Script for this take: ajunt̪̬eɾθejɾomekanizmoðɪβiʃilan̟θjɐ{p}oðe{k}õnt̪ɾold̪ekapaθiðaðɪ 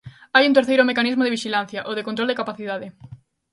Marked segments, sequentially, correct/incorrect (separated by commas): incorrect, correct